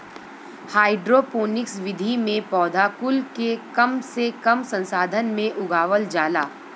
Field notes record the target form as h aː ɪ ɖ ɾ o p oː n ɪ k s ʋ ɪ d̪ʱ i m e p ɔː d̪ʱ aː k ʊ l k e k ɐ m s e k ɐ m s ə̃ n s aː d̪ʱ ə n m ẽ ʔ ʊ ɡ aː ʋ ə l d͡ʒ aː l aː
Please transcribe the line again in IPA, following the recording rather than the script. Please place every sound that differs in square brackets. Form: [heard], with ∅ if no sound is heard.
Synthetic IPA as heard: h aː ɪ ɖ ɾ o p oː n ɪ k s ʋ ɪ d̪ʱ i m [ẽ] p ɔː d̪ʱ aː k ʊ l k e k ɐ m s e k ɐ m s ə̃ n s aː d̪ʱ ə n m ẽ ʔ ʊ ɡ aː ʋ ə l d͡ʒ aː l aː

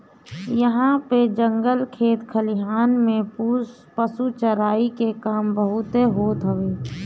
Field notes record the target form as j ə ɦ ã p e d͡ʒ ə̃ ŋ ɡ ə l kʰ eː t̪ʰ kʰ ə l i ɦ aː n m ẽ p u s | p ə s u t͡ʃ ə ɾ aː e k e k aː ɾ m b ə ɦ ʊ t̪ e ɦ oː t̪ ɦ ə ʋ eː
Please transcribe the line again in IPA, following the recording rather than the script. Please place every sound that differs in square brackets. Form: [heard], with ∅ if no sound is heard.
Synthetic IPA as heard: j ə ɦ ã p e d͡ʒ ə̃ ŋ ɡ ə l kʰ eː [t̪] kʰ ə l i ɦ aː n m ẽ p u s | p ə s u t͡ʃ ə ɾ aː [i] k e k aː [∅] m b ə ɦ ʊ t̪ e ɦ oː t̪ ɦ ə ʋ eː

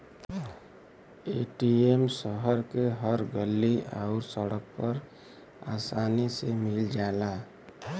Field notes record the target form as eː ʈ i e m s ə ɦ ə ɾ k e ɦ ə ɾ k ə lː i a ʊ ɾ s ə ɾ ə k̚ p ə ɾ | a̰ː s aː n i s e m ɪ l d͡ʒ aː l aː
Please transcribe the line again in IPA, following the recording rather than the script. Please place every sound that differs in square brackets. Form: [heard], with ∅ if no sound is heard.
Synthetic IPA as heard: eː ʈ i e m s ə ɦ ə ɾ k e ɦ ə ɾ [ɡ] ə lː i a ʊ ɾ s ə [ɽ] ə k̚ p ə ɾ | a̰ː s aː n i s e m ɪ l d͡ʒ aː l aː

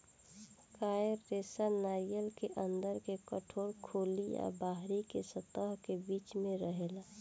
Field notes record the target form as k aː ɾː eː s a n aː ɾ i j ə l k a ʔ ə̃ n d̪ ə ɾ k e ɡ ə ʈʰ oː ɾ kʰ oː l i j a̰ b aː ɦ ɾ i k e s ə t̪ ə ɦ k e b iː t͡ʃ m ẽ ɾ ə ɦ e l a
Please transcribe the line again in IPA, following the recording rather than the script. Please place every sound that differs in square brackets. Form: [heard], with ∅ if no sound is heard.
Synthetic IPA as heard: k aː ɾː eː s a n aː ɾ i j ə l k [e] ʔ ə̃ n d̪ ə ɾ k e [k] ə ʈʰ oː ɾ kʰ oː l i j a̰ b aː ɦ ɾ i k e s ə t̪ ə ɦ k e b iː t͡ʃ m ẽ ɾ ə ɦ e l a

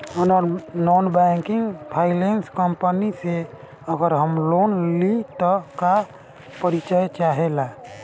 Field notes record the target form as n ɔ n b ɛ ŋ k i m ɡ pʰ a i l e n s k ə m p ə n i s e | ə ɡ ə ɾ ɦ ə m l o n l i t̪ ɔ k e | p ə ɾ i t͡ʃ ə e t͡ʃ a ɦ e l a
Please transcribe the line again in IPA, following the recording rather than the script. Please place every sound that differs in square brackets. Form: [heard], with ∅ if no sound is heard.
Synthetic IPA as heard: n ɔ n b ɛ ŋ k i [ŋ] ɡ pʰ a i l e n s k ə m p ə n i s e | ə ɡ ə ɾ ɦ ə m l o n l i t̪ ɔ k [a] | p ə ɾ i t͡ʃ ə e t͡ʃ a ɦ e l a

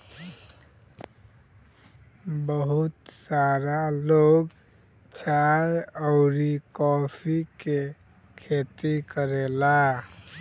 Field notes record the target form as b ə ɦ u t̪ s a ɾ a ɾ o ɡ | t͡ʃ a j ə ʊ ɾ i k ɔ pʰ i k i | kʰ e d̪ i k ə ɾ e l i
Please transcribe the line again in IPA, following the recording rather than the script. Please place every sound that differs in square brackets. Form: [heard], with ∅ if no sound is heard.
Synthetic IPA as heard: b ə ɦ u t̪ s a ɾ a [l] o ɡ | t͡ʃ a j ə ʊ ɾ i k ɔ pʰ i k [e] | kʰ e [t̪] i k ə ɾ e l [a]

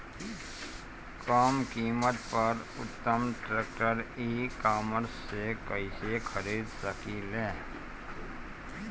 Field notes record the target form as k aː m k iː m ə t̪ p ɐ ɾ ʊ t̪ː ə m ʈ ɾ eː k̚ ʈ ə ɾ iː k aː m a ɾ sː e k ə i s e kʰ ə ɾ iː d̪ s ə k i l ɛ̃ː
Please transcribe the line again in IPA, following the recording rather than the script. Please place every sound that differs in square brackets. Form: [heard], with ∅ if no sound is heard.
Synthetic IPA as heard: k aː m k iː m ə t̪ p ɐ ɾ ʊ t̪ː ə m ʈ ɾ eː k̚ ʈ ə ɾ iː k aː m [ə] ɾ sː e k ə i s e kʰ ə ɾ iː d̪ s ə k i l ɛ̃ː

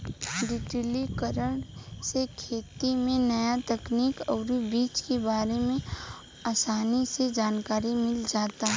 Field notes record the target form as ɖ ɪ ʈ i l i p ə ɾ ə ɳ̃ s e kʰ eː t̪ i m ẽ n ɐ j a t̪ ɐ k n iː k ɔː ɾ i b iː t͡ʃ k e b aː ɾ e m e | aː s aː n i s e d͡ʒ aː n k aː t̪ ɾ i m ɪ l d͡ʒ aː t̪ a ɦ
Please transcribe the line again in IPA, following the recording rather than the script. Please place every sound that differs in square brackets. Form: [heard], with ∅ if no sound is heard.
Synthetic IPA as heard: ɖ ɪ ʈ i l i [k] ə ɾ ə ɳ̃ s e kʰ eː t̪ i m ẽ n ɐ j a t̪ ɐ k n iː k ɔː ɾ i b iː t͡ʃ k e b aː ɾ e m [ẽ] | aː s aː n i s e d͡ʒ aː n k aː [∅] ɾ i m ɪ l d͡ʒ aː t̪ a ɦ

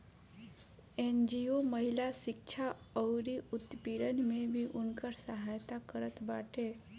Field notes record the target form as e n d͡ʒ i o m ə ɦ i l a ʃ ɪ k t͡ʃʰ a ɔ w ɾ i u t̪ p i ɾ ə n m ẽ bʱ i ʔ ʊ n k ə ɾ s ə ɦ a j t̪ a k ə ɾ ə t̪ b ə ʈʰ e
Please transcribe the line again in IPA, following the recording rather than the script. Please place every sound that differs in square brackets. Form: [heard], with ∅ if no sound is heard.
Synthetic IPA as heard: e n d͡ʒ i o m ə ɦ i l a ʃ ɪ k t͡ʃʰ a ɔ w ɾ i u t̪ p i ɾ ə n m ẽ bʱ i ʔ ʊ n k ə ɾ s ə ɦ a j t̪ a k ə ɾ ə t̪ b [a] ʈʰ e

